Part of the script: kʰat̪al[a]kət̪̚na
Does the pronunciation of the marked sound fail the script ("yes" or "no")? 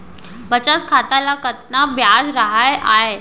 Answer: no